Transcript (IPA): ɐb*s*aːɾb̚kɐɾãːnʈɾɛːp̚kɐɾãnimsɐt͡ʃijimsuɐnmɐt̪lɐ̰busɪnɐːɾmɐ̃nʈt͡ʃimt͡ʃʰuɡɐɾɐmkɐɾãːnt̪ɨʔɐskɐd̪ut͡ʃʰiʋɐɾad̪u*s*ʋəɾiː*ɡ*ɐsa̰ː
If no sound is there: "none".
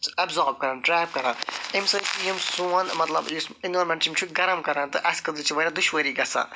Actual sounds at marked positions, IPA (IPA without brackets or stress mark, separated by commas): z, ʃ, ɡ